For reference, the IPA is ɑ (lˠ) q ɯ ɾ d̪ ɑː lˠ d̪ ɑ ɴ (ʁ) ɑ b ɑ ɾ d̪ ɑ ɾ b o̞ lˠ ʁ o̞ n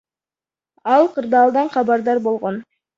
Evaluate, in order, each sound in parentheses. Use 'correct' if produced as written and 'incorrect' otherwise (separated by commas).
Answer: correct, incorrect